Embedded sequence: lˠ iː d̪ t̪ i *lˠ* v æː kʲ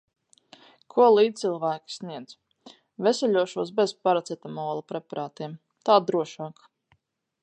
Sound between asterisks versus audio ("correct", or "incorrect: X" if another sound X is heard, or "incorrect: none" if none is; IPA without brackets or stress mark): correct